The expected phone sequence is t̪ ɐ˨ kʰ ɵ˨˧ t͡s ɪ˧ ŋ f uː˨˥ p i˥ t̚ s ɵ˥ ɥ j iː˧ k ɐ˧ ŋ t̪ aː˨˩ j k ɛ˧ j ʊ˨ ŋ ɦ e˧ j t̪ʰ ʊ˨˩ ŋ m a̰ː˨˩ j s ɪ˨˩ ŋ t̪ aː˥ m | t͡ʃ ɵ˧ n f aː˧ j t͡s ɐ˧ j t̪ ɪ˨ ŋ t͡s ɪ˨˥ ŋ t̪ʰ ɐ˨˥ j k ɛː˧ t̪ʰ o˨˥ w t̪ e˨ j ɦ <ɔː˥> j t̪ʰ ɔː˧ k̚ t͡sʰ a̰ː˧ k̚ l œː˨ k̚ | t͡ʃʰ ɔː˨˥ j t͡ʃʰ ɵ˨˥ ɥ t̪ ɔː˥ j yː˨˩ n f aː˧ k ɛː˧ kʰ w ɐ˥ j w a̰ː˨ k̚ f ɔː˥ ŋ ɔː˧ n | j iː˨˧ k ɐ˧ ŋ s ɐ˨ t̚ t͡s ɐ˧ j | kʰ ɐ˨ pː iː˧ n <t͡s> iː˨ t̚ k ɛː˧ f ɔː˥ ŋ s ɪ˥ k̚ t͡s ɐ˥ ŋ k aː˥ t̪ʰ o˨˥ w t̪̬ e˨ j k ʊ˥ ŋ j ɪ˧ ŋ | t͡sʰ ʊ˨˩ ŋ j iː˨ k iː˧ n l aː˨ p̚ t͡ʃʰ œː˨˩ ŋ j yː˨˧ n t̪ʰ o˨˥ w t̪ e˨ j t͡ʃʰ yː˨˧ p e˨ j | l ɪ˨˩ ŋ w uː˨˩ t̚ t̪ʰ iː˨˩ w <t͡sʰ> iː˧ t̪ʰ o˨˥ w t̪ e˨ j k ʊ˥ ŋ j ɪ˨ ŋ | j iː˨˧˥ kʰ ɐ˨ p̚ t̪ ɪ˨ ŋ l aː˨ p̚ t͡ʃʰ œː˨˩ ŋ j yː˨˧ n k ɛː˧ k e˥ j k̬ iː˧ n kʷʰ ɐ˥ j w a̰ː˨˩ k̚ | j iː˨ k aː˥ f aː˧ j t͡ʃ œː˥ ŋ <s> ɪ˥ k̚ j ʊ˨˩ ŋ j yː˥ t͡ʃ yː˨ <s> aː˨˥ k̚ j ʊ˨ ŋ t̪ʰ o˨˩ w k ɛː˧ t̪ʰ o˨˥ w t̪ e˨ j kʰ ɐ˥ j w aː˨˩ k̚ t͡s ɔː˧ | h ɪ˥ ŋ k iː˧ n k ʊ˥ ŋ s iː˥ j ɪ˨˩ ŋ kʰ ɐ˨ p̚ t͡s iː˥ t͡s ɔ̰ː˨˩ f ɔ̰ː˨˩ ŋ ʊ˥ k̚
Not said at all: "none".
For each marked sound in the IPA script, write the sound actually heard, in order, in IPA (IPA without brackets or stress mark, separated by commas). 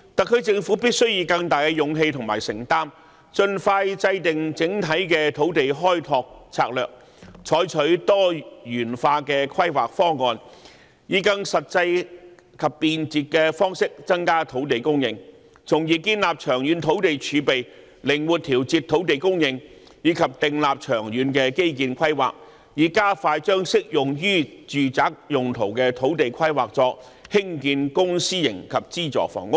ɔː˥, t͡s, t͡s, s, t͡s